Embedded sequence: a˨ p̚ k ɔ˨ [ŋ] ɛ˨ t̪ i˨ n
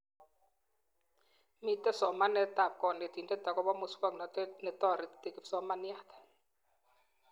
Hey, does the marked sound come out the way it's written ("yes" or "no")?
no